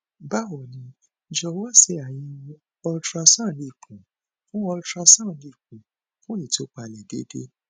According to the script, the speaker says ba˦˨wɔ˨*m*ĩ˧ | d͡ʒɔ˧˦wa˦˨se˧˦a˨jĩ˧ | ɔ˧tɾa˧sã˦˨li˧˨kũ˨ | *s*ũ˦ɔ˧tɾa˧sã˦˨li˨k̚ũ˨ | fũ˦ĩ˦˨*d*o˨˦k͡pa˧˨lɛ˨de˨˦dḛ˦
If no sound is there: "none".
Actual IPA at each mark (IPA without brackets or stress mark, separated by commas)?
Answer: n, f, t